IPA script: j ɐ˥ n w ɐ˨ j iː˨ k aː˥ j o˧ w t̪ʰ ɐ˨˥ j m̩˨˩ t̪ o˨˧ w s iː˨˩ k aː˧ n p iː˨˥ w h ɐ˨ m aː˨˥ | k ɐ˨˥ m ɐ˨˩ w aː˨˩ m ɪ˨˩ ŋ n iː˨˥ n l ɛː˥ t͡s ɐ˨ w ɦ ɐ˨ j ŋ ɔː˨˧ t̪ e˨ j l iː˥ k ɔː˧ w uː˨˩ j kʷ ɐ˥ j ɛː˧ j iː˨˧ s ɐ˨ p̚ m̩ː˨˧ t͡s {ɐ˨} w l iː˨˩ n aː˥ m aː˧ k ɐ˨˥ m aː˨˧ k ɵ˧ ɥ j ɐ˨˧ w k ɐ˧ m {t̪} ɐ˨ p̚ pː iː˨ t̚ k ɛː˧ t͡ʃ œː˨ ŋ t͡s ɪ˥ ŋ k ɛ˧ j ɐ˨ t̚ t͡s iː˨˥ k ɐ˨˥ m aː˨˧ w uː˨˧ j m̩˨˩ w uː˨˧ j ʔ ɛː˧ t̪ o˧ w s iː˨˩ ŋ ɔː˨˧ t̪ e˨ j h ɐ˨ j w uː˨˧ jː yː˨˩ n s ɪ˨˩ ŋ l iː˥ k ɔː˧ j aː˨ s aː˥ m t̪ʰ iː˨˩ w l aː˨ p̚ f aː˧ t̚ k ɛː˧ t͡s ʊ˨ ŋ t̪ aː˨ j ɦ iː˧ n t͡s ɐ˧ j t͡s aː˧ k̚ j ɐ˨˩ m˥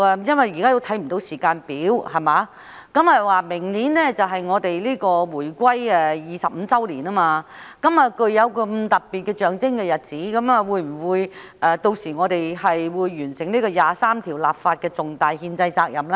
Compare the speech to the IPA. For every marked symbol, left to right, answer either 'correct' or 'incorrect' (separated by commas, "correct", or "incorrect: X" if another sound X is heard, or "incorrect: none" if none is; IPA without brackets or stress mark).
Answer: incorrect: ɐ˥, correct